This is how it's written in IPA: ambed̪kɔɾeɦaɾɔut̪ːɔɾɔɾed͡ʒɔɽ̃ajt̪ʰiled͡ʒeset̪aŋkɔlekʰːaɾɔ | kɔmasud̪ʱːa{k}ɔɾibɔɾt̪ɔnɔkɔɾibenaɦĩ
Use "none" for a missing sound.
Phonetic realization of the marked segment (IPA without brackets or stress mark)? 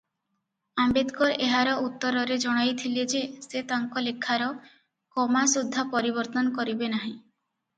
p